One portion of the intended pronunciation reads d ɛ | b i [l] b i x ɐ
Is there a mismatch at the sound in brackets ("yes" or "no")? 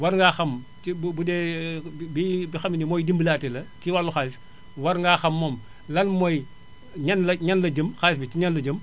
yes